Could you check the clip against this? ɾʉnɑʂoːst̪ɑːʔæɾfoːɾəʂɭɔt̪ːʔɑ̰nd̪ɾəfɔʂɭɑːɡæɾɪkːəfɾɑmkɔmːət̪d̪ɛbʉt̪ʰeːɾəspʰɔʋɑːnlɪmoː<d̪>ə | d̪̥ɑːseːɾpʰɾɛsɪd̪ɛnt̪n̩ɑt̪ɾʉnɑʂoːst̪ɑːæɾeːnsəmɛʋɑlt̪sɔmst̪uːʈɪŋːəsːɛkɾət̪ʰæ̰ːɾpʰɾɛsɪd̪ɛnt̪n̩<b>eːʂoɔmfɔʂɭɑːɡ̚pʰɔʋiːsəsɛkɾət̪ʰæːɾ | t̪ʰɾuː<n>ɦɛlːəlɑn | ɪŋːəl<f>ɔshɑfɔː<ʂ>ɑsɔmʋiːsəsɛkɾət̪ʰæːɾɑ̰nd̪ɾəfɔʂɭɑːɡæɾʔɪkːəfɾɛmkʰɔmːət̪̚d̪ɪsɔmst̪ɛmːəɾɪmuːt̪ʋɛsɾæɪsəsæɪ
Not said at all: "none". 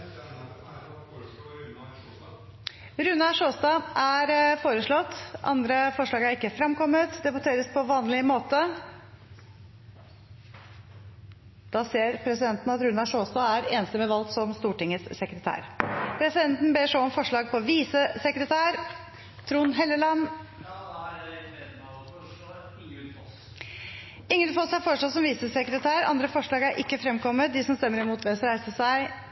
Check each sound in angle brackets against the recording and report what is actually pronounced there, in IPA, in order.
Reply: t̪, b, n, f, ʂ

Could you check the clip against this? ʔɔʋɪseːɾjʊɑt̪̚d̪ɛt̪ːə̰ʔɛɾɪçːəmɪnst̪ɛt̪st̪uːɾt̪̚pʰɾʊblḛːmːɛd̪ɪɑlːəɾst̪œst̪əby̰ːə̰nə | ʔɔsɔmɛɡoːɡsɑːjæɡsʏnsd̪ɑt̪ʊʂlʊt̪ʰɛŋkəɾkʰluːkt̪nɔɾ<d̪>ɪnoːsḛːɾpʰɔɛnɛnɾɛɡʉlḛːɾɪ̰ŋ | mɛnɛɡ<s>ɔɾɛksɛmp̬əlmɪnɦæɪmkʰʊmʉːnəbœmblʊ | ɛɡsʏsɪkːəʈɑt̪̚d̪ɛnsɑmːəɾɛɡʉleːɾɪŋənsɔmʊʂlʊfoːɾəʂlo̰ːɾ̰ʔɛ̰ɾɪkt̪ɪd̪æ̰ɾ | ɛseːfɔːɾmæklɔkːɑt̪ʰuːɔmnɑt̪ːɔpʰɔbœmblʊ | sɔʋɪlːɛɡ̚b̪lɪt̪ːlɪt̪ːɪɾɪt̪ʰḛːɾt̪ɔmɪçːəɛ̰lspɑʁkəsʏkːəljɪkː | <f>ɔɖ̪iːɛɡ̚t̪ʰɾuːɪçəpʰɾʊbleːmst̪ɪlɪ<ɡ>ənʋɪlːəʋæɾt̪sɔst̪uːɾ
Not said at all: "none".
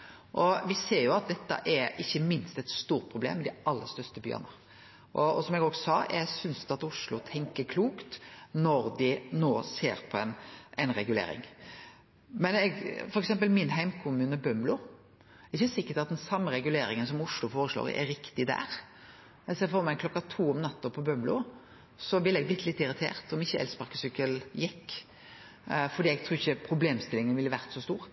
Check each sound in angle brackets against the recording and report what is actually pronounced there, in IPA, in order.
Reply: d̪, f, f, ŋ

